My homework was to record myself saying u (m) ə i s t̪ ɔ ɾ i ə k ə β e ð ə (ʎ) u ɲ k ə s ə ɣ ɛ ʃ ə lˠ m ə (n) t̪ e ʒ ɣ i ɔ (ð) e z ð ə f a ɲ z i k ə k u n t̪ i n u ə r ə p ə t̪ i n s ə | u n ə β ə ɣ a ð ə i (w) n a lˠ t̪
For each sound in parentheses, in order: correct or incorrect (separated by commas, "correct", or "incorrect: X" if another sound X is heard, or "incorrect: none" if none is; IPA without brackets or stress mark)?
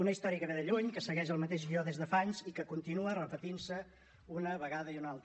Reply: incorrect: n, correct, incorrect: none, correct, incorrect: u